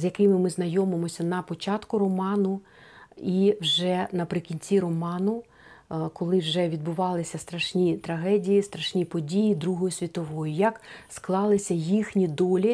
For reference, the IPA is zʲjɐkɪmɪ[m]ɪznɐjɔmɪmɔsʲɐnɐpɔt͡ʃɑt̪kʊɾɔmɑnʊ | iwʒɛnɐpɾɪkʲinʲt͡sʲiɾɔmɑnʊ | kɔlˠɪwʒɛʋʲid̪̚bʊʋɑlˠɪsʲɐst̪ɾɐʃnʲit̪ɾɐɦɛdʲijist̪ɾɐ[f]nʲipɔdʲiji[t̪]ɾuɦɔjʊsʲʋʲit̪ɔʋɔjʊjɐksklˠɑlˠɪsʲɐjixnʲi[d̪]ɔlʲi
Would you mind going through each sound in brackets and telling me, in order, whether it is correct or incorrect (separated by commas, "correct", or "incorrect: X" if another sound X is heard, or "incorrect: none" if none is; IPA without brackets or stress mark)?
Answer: correct, incorrect: ʃ, incorrect: d̪, correct